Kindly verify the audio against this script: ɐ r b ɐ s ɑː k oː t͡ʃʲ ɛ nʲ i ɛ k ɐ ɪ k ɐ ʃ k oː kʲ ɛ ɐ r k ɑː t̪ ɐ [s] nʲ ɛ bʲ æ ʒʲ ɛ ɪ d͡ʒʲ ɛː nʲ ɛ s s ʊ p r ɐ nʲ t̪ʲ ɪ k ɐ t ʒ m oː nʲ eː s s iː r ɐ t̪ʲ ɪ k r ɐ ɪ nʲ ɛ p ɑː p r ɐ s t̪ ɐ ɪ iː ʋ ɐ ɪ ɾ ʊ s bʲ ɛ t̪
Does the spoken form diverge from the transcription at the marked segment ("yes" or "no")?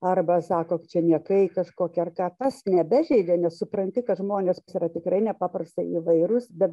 no